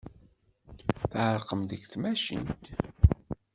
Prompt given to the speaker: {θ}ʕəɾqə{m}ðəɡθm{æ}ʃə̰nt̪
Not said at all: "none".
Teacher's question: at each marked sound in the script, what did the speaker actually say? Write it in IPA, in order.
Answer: θ, m, æ

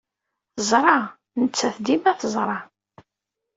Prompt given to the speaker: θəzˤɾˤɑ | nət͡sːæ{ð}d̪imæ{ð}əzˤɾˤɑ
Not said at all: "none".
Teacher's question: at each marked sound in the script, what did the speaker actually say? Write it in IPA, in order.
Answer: θ, θ

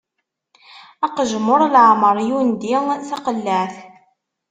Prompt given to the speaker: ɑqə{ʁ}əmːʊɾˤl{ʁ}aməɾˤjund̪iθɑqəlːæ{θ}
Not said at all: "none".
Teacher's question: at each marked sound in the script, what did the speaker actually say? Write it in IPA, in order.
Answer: ʒ, ʕ, θ

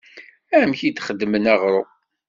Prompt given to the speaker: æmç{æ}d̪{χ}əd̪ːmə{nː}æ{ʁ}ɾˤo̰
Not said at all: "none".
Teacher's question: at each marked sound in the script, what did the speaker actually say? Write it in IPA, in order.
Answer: i, χ, n, ʁ

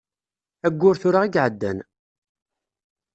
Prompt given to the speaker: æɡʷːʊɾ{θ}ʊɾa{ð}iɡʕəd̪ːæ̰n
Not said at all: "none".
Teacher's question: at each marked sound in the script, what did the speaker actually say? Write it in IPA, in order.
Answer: θ, ʁ

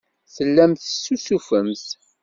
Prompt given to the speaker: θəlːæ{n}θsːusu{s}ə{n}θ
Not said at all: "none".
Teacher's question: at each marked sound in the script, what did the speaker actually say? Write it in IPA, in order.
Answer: m, f, m

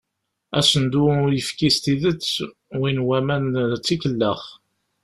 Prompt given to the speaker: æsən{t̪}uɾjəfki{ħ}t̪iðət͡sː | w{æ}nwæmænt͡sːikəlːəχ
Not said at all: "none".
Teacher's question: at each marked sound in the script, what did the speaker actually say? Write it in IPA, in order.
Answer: d̪, s, i

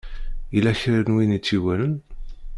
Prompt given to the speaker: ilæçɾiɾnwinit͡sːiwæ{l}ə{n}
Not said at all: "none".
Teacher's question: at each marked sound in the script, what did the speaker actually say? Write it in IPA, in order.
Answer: l, n

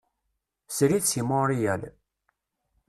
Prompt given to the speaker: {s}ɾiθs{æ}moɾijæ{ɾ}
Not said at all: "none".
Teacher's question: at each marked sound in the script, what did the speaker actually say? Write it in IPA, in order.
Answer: s, i, l

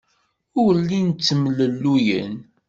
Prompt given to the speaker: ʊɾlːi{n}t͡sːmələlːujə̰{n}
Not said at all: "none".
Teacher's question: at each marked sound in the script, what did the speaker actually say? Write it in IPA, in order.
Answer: n, n

